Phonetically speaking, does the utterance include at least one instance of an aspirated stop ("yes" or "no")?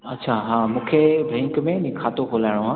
yes